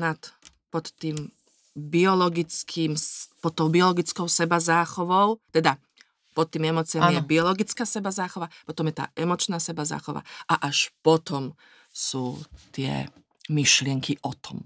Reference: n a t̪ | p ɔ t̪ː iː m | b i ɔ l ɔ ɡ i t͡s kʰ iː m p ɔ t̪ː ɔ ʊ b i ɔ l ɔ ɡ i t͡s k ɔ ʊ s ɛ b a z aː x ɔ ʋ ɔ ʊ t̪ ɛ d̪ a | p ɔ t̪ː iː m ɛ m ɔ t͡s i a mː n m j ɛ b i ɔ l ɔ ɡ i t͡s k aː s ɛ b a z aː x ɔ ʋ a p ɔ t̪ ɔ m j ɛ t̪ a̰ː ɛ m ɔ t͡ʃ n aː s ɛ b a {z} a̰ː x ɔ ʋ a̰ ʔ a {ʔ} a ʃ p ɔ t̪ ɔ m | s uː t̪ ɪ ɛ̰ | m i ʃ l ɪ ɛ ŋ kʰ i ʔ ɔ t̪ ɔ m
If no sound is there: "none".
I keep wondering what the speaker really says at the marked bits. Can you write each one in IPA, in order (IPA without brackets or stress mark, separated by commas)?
z, ʔ